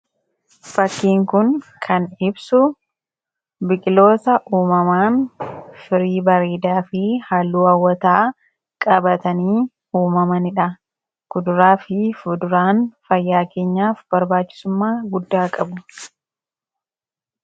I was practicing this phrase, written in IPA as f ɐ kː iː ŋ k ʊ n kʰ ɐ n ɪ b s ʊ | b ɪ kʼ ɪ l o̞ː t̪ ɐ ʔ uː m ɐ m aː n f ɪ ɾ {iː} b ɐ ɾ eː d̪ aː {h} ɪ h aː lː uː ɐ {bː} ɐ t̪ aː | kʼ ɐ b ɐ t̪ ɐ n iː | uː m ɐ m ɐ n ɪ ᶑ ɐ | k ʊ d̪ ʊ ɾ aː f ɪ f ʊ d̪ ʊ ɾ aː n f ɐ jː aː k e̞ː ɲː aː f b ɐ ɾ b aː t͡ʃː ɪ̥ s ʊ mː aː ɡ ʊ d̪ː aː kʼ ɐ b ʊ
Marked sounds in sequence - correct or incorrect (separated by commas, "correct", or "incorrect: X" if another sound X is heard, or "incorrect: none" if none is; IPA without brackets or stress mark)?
correct, incorrect: f, incorrect: wː